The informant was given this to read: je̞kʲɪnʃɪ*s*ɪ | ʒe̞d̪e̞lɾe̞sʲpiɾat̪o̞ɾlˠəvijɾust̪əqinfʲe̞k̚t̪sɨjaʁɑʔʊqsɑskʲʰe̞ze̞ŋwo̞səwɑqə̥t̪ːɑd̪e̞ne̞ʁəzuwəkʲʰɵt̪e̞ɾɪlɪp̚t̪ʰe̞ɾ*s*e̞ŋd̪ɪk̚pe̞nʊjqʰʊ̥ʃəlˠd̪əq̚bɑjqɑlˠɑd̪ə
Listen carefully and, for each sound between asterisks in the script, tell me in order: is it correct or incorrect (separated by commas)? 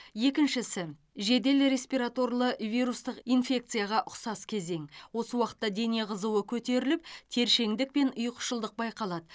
correct, incorrect